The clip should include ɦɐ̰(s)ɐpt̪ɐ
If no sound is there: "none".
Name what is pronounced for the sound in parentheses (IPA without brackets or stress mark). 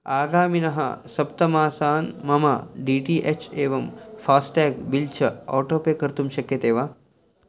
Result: s